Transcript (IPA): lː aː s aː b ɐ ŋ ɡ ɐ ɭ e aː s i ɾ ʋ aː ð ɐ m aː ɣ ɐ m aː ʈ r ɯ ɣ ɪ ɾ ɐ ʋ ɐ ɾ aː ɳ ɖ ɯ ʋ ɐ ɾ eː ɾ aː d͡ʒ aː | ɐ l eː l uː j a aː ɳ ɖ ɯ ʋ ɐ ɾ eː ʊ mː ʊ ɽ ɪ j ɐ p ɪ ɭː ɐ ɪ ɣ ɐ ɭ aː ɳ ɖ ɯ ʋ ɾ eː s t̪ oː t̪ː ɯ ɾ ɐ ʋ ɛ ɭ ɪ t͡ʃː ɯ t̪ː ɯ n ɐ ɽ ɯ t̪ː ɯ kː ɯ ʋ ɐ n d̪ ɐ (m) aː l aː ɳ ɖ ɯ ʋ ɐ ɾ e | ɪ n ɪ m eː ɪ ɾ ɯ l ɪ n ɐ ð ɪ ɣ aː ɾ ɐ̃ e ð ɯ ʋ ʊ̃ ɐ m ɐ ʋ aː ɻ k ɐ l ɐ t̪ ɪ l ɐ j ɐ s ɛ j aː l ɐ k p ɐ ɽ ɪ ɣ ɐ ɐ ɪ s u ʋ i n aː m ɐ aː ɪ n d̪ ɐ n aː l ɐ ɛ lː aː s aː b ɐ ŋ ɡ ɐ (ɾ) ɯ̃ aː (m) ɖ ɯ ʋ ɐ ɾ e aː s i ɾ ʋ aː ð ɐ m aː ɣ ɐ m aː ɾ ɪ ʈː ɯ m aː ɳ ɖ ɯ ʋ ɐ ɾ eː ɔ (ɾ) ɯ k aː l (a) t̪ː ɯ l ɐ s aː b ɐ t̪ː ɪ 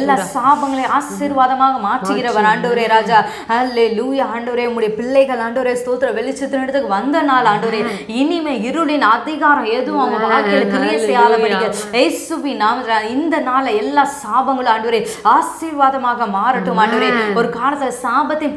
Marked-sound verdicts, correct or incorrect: incorrect: n, incorrect: ɭ, incorrect: ɳ, correct, incorrect: ɐ

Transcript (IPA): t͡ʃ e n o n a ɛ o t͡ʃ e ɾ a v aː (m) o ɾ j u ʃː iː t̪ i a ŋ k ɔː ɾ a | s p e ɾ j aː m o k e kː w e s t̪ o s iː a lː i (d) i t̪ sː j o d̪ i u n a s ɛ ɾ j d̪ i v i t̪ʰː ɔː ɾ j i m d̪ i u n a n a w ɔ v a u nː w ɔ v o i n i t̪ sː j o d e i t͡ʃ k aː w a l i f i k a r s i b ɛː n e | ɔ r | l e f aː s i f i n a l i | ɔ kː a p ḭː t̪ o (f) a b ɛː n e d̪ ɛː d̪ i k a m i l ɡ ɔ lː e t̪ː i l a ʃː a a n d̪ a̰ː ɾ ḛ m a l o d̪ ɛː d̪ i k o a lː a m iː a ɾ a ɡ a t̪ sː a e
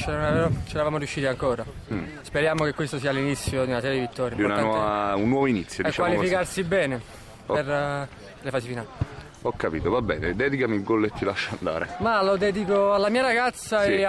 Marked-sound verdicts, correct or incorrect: correct, incorrect: n, incorrect: v

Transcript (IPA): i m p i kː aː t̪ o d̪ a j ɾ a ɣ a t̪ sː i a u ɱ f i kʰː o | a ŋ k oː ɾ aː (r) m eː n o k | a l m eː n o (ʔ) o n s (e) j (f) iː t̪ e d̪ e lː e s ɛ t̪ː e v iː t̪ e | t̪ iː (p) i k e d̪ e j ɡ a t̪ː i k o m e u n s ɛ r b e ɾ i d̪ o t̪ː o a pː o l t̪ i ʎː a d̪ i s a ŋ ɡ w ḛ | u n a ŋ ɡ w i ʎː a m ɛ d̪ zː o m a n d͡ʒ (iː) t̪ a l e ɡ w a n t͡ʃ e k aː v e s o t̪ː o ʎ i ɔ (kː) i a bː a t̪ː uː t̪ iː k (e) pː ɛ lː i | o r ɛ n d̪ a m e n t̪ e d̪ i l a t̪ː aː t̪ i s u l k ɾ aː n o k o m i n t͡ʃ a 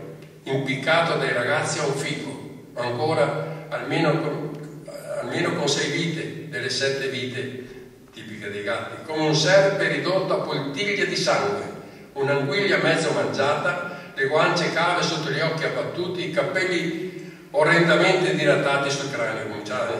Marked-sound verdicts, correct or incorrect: incorrect: l, incorrect: k, incorrect: ɛ, incorrect: v, correct, incorrect: aː, correct, incorrect: a

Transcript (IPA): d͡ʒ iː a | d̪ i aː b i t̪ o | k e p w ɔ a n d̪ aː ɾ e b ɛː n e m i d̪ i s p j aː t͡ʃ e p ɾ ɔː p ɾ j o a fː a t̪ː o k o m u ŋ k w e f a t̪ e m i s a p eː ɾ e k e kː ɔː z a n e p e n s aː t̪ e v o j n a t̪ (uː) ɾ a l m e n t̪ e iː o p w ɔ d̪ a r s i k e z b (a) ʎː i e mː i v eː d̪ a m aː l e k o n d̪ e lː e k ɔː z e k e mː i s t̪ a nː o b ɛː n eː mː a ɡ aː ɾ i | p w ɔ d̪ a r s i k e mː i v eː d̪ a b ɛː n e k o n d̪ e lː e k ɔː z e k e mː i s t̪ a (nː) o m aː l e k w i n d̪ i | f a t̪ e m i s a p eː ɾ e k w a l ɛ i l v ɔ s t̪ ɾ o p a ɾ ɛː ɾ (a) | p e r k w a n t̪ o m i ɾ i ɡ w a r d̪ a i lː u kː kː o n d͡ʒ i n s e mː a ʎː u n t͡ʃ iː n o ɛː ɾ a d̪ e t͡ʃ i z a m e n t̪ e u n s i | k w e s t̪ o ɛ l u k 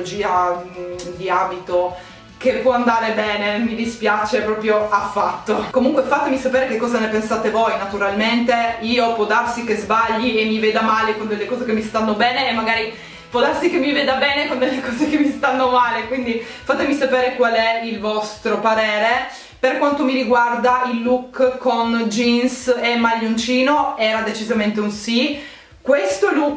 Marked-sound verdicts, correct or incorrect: incorrect: u, correct, correct, incorrect: e

